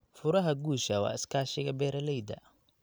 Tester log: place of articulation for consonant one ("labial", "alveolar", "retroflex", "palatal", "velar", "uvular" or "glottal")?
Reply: labial